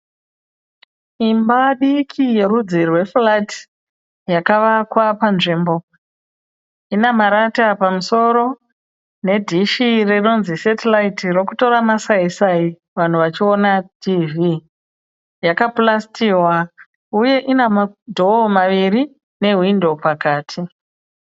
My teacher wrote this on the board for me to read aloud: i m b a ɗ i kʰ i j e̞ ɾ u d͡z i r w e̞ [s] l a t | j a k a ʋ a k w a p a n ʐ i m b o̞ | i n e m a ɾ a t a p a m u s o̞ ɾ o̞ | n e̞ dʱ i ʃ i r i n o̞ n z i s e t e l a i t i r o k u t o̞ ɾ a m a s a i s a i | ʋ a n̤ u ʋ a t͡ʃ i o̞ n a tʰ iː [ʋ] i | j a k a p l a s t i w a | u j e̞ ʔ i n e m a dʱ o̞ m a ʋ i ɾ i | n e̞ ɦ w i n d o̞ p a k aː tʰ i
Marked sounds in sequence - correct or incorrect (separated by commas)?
incorrect, incorrect